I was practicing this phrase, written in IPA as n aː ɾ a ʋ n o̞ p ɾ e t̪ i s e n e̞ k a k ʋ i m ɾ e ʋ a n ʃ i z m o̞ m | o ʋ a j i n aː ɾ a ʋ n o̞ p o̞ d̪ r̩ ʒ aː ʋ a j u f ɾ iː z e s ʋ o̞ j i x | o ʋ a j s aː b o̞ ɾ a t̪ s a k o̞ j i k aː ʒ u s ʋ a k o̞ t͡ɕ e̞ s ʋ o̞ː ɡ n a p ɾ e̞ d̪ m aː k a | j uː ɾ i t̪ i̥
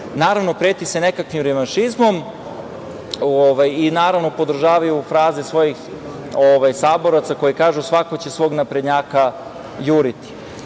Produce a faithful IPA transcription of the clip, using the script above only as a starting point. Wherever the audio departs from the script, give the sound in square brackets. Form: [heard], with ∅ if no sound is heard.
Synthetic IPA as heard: n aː ɾ a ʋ n o̞ p ɾ e t̪ i s e n e̞ k a k ʋ i m ɾ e ʋ a n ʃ i z m o̞ m | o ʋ a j i n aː ɾ a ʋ n o̞ p o̞ d̪ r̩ ʒ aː ʋ a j u f ɾ [aː] z e s ʋ o̞ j i x | o ʋ a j s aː b o̞ ɾ a t̪ s a k o̞ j i k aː ʒ u s ʋ a k o̞ t͡ɕ e̞ s ʋ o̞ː ɡ n a p ɾ e̞ d̪ [ɲ] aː k a | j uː ɾ i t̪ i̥